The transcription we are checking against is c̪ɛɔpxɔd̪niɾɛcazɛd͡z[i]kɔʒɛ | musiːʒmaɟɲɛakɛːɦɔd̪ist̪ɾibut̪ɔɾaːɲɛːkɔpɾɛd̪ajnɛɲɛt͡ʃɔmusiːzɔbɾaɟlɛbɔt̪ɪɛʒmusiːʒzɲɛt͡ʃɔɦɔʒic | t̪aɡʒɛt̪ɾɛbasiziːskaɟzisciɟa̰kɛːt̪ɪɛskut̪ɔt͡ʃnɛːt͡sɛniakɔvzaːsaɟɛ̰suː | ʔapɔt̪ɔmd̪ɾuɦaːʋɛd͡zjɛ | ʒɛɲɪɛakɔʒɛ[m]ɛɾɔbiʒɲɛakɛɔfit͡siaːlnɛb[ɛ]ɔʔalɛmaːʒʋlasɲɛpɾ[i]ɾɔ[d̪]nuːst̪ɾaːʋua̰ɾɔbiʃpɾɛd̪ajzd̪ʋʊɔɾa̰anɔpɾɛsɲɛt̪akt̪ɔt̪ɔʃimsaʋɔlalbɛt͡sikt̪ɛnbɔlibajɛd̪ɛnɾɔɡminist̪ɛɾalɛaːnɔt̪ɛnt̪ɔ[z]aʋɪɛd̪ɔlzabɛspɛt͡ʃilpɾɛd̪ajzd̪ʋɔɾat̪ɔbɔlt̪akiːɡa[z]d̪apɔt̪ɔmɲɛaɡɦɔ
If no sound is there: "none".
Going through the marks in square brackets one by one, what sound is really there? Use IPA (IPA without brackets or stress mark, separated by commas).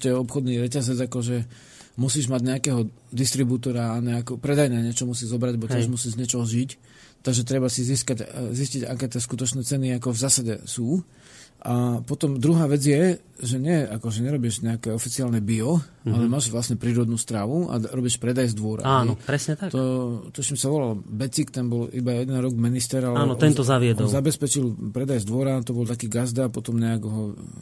a, ɲ, i, iː, d̪, z, z